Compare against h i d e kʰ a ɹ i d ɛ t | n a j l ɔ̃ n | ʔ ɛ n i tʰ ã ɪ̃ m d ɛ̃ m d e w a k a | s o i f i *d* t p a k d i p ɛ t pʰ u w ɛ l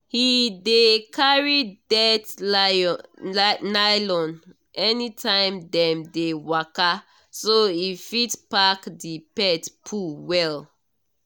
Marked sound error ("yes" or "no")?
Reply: yes